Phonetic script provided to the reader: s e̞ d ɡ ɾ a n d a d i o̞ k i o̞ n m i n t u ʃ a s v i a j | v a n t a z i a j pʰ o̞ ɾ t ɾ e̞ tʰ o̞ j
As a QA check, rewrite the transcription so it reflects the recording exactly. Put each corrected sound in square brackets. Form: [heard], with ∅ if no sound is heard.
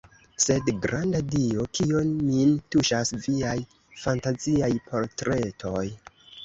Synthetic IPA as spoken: s e̞ d ɡ ɾ a n d a d i o̞ k i o̞ n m i n t u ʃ a s v i a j | [f] a n t a z i a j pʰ o̞ ɾ t ɾ e̞ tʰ o̞ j